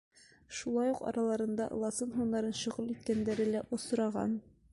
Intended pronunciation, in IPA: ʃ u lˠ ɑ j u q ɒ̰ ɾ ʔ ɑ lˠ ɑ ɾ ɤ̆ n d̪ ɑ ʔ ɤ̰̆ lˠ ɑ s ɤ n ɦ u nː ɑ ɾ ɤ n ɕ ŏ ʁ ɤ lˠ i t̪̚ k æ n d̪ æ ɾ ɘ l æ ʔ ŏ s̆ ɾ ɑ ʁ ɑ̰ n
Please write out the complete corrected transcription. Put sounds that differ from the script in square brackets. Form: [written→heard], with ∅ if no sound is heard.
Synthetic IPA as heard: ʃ u lˠ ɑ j u q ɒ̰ ɾ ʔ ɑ lˠ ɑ ɾ ɤ̆ n d̪ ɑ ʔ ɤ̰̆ lˠ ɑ s ɤ n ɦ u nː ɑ ɾ ɤ n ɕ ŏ ʁ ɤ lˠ i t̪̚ k æ n d̪ æ ɾ ɘ l æ ʔ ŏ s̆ ɾ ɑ ʁ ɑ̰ n